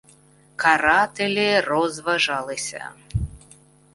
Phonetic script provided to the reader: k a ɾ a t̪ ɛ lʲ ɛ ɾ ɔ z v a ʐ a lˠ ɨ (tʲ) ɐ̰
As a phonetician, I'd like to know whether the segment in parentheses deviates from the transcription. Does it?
yes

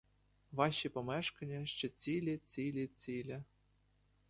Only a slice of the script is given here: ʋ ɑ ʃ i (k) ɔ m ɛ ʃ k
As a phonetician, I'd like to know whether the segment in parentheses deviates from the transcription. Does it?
yes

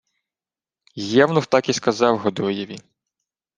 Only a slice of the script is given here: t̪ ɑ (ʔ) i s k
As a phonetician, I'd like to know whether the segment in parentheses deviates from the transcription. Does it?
yes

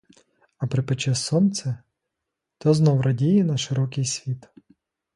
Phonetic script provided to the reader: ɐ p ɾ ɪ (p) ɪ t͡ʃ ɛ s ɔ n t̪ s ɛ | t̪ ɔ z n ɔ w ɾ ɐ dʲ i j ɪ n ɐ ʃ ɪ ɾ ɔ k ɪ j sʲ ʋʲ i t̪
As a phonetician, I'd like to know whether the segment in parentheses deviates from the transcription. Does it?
no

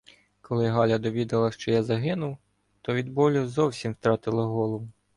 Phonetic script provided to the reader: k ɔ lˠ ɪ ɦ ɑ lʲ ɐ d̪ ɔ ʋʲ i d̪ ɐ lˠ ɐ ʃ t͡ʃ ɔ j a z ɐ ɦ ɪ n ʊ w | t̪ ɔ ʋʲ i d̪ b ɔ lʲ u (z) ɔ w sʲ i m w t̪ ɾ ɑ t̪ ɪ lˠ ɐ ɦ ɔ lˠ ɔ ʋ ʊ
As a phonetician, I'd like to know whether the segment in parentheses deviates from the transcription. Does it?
no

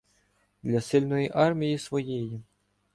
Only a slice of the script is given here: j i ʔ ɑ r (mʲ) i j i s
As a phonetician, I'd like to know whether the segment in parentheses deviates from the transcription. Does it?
no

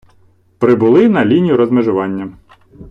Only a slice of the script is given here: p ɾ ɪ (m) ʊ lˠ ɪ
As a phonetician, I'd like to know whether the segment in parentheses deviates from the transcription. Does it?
yes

